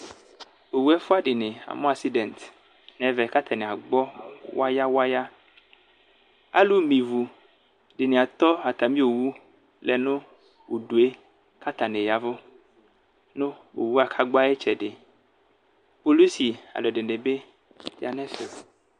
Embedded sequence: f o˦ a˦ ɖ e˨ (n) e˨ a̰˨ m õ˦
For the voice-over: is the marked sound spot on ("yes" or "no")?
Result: yes